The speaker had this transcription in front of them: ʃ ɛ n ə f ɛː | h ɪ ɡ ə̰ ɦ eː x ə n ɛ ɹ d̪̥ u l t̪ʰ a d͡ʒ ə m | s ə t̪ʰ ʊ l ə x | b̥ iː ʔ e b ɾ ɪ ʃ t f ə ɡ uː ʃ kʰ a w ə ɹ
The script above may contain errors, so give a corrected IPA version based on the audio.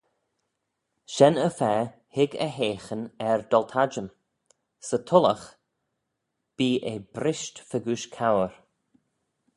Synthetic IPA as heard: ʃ ɛ n ə f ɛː | h ɪ ɡ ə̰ ɦ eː x ə n ɛ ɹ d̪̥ ɔ l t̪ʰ a d͡ʒ ə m | s ə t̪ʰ ʊ l ə x | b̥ iː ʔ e b ɾ ɪ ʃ t f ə ɡ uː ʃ kʰ a w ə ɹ